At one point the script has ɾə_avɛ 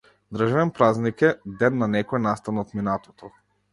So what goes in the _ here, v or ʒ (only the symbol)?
ʒ